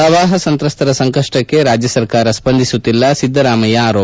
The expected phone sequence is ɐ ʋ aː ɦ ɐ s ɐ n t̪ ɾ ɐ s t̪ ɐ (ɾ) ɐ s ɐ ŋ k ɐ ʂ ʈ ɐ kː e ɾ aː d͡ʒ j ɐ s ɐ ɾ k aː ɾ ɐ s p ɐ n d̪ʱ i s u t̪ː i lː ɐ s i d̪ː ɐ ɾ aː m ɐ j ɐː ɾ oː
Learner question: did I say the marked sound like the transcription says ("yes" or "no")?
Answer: yes